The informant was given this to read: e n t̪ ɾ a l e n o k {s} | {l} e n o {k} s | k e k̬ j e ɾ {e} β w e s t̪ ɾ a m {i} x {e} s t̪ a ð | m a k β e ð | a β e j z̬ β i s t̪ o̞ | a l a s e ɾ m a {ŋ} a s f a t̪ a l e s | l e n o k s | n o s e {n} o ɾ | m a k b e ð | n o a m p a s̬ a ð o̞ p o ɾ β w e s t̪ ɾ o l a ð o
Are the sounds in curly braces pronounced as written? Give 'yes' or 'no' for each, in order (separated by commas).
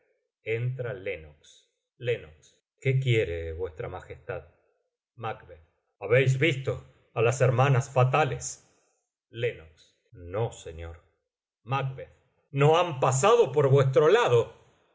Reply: yes, yes, yes, yes, no, yes, no, no